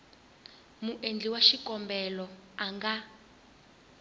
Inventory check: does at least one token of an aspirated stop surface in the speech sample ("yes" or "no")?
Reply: no